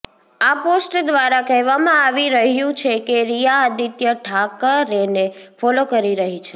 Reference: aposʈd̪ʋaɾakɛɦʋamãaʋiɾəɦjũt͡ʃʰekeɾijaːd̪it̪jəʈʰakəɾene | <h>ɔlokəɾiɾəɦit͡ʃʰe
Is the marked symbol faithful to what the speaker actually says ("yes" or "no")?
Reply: no